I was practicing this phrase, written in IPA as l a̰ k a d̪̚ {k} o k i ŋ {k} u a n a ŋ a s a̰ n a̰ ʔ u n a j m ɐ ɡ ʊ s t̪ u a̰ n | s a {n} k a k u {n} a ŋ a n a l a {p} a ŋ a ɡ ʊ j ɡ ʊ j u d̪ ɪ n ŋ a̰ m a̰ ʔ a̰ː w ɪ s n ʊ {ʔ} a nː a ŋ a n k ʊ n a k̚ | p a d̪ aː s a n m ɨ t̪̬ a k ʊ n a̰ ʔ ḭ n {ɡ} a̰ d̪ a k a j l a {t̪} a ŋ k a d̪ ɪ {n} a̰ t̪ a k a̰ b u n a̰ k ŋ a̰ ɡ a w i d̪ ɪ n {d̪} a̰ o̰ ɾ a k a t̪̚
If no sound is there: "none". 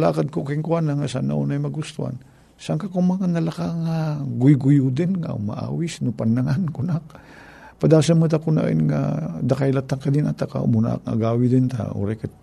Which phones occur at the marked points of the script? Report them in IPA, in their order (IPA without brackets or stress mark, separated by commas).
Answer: k, k, ŋ, m, k, p, ŋ, t̪, n, t̪